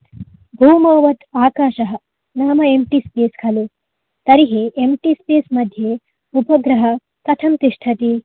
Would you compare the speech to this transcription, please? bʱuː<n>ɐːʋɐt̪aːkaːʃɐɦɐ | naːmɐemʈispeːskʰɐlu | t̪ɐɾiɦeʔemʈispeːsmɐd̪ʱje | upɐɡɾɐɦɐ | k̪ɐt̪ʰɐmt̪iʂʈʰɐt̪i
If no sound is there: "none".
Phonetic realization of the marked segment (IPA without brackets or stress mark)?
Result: m